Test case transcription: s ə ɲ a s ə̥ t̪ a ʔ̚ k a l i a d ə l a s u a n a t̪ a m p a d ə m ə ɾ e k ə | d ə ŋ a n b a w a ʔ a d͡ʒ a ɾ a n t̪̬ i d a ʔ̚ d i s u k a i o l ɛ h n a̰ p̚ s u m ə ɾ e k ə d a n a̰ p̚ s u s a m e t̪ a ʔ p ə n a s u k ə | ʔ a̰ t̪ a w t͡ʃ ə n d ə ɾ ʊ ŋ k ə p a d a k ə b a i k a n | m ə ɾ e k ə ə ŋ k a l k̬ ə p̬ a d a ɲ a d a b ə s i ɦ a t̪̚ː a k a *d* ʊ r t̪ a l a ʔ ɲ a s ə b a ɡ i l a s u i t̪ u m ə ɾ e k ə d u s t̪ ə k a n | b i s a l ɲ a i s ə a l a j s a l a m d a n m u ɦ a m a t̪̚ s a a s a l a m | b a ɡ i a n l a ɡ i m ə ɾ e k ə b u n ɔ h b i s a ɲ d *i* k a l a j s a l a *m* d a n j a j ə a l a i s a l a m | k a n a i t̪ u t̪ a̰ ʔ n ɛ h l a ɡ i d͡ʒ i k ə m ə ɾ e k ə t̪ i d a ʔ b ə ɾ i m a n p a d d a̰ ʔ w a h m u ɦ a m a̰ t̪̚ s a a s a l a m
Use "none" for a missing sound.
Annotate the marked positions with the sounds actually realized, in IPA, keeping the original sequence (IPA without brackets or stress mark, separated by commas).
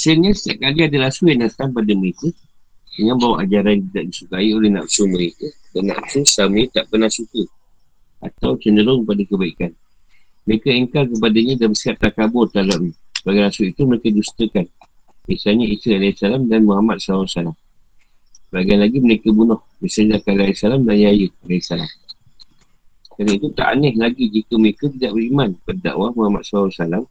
b, a, m